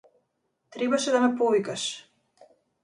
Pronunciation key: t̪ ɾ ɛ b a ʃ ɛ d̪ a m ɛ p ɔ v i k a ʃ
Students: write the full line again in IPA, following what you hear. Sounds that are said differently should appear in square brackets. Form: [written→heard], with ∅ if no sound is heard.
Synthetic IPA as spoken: t̪ ɾ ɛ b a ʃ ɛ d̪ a m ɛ p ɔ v i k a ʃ